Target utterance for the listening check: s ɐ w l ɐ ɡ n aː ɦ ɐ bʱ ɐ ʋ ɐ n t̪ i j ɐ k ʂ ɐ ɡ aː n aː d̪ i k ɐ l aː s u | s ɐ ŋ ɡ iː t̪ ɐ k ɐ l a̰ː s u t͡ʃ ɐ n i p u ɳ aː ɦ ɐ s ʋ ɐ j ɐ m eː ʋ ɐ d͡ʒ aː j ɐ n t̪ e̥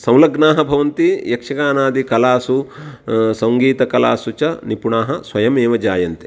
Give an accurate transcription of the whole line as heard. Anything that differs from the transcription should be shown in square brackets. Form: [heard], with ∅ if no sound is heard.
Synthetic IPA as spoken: s ɐ w l ɐ ɡ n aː ɦ ɐ bʱ ɐ ʋ ɐ n t̪ i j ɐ k ʂ ɐ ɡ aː n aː d̪ i k ɐ l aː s u | s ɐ ŋ ɡ iː t̪ ɐ k ɐ l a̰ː s u t͡ʃ ɐ n i p u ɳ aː ɦ ɐ s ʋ ɐ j ɐ m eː ʋ ɐ d͡ʒ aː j ɐ n t̪ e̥

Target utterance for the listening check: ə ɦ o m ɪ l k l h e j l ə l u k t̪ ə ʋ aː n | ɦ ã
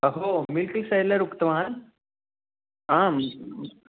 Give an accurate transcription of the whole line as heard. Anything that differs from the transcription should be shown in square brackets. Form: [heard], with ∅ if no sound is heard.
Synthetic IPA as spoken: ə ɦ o m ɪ l k l [s] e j l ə [ɾ] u k t̪ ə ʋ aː n | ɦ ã

